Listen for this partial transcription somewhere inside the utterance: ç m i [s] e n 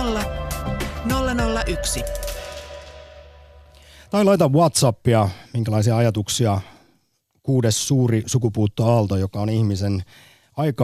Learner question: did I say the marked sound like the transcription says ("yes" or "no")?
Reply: yes